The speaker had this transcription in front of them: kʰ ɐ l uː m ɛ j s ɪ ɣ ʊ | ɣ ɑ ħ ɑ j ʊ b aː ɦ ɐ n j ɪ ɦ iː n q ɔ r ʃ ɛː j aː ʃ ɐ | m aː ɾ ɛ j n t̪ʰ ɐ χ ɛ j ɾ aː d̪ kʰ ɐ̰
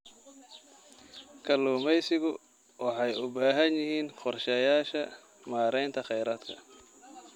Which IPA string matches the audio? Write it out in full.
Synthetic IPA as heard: kʰ ɐ l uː m ɛ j s ɪ ɣ ʊ | w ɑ ħ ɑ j ʊ b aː ɦ ɐ n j ɪ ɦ iː n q ɔ r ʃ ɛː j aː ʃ ɐ | m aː ɾ ɛ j n t̪ʰ ɐ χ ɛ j ɾ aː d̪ kʰ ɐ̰

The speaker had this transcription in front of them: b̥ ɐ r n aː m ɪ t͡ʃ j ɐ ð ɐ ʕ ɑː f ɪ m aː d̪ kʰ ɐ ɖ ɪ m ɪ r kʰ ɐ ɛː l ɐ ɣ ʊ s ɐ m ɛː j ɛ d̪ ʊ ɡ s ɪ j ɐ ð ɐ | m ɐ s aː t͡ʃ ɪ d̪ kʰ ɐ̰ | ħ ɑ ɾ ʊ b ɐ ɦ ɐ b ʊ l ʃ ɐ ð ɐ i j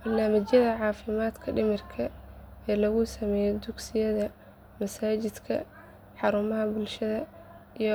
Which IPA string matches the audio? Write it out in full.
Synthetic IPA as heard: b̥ ɐ r n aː m ɪ t͡ʃ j ɐ ð ɐ ʕ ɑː f ɪ m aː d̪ kʰ ɐ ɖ ɪ m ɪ r kʰ ɐ ɛː l ɐ ɣ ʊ s ɐ m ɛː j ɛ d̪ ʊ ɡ s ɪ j ɐ ð ɐ | m ɐ s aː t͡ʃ ɪ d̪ kʰ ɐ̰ | ħ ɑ ɾ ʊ m ɐ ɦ ɐ b ʊ l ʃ ɐ ð ɐ i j

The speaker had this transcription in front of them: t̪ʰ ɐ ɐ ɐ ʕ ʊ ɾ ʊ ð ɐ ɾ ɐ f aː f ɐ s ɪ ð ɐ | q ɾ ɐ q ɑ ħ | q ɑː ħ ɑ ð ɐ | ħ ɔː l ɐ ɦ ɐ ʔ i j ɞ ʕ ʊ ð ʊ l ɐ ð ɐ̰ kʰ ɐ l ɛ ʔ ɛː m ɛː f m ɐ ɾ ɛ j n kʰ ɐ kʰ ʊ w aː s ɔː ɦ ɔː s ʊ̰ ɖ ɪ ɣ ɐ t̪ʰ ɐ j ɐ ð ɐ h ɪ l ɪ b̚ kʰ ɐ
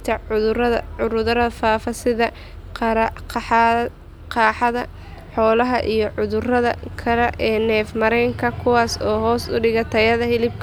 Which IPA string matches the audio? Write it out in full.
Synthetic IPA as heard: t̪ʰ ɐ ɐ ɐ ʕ ʊ ɾ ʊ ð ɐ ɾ ɐ f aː f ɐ s ɪ ð ɐ | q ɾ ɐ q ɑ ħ | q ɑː ħ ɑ ð ɐ | ħ ɔː l ɐ ɦ ɐ ʔ i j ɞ ʕ ʊ ð ʊ r ɐ ð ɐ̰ kʰ ɐ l ɛ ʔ ɛː n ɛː f m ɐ ɾ ɛ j ŋ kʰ ɐ kʰ ʊ w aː s ɔː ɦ ɔː s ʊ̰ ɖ ɪ ɣ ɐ t̪ʰ ɐ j ɐ ð ɐ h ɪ l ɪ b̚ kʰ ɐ

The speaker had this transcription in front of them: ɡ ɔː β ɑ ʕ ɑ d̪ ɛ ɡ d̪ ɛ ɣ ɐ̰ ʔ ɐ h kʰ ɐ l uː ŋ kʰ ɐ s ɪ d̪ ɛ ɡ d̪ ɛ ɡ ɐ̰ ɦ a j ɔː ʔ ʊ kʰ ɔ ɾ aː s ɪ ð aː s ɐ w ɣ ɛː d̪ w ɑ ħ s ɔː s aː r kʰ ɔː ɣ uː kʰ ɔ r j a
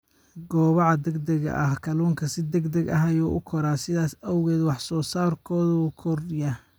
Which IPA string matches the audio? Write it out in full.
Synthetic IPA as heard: ɡ ɔː β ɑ ʕ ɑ d̪ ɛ ɡ d̪ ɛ ɣ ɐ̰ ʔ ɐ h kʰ ɐ l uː ŋ kʰ ɐ s ɪ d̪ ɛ ɡ d̪ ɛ ɡ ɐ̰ ɦ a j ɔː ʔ ʊ kʰ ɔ ɾ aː s ɪ ð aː s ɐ w ɣ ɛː d̪ w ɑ ħ s ɔː s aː r kʰ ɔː ð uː kʰ ɔ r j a

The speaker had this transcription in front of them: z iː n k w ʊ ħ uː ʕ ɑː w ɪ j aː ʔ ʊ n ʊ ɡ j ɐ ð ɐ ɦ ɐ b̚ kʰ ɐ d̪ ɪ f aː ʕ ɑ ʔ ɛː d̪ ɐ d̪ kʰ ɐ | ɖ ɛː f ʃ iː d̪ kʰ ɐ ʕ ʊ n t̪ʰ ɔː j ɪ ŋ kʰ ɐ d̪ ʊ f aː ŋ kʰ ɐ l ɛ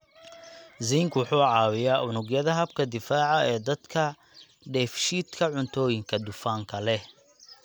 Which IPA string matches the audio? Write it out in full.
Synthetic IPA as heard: z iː ŋ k w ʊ ħ uː ʕ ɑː w ɪ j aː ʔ ʊ n ʊ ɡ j ɐ ð ɐ ɦ ɐ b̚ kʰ ɐ d̪ ɪ f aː ʕ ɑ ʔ ɛː d̪ ɐ d̪ kʰ ɐ | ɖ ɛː f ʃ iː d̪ kʰ ɐ ʕ ʊ n t̪ʰ ɔː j ɪ ŋ kʰ ɐ d̪ ʊ f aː ŋ kʰ ɐ l ɛ

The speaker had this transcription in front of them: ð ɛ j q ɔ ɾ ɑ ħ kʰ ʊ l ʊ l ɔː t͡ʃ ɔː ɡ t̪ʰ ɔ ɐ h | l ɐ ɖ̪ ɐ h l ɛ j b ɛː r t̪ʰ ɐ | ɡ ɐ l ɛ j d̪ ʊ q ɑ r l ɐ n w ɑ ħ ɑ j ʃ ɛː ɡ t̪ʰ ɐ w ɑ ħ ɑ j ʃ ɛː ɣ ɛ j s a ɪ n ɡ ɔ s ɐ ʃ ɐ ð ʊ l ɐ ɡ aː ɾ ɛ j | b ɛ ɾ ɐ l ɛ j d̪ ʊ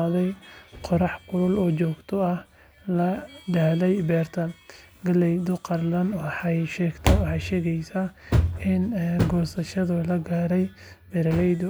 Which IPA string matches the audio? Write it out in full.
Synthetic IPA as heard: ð ɛ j q ɔ ɾ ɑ ħ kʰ ʊ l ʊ l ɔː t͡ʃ ɔː ɡ t̪ʰ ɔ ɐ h | l ɐ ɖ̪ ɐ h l ɛ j b ɛː r t̪ʰ ɐ | ɡ ɐ l ɛ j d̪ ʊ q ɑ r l ɐ n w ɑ ħ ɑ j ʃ ɛː ɡ t̪ʰ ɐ w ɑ ħ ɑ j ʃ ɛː ɣ ɛ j s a ɪ n ɡ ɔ s ɐ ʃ ɐ ð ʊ l ɐ ɡ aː ɾ ɛ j | b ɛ ɾ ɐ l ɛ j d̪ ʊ

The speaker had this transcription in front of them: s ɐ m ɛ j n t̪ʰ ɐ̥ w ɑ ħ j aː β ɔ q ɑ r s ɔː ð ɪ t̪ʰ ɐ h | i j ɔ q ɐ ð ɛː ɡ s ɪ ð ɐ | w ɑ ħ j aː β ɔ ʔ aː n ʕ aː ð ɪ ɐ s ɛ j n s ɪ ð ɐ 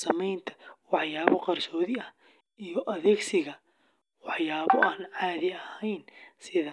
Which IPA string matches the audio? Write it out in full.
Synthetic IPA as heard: s ɐ m ɛ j n t̪ʰ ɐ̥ w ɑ ħ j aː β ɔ q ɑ r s ɔː ð ɪ ɐ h | i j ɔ ʔ ɐ ð ɛː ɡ s ɪ ɣ ɐ | w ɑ ħ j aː β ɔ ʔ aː n ʕ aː ð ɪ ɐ h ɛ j n s ɪ ð ɐ

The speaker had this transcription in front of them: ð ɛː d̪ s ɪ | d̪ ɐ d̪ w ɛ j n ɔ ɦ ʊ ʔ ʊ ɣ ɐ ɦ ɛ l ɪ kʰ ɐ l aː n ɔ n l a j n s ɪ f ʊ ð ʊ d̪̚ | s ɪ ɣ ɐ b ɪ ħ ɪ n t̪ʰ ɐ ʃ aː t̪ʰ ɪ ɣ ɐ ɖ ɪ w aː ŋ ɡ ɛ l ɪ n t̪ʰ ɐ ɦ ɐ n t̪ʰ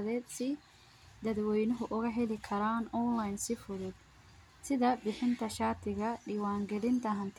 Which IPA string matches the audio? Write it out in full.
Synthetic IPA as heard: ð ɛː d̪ s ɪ | d̪ ɐ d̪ w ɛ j n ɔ ɦ ʊ ʔ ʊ ɣ ɐ ɦ ɛ l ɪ kʰ ɐ ɾ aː n ɔ n l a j n s ɪ f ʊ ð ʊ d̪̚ | s ɪ ð ɐ b ɪ ħ ɪ n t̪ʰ ɐ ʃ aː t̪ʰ ɪ ɣ ɐ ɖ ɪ w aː ŋ ɡ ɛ l ɪ n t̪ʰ ɐ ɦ ɐ n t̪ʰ

